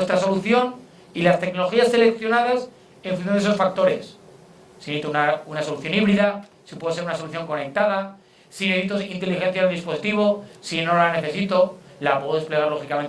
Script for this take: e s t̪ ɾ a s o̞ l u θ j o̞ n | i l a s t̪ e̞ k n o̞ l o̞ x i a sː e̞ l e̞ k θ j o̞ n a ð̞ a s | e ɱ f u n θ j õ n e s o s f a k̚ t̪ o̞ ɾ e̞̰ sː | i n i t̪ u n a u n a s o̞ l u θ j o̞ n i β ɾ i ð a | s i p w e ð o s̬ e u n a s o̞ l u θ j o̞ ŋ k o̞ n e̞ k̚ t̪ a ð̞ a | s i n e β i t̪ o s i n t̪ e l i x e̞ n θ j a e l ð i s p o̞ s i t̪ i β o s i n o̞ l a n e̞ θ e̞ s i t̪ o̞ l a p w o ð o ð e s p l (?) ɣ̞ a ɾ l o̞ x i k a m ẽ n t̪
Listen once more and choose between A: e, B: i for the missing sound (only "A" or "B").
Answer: A